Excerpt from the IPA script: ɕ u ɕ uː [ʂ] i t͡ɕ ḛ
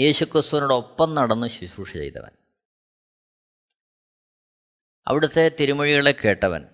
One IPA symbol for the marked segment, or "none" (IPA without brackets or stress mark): ʂ